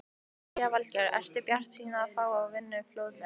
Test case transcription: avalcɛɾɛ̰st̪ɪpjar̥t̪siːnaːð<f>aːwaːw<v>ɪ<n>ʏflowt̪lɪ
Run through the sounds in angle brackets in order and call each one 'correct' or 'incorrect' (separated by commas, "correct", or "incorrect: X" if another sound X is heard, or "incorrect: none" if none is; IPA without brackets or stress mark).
correct, correct, incorrect: nː